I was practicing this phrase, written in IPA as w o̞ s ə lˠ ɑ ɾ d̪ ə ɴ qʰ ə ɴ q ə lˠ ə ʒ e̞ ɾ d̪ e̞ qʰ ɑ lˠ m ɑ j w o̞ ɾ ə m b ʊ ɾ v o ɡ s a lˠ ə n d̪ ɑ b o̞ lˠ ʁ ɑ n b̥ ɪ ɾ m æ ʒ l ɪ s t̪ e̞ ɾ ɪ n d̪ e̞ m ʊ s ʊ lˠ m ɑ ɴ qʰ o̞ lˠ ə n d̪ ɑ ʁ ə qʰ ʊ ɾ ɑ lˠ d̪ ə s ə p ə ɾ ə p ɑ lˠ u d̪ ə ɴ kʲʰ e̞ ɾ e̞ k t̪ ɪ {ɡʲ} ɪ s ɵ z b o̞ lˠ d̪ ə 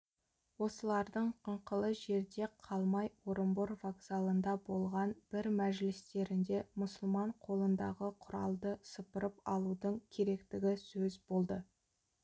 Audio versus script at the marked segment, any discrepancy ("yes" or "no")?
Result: no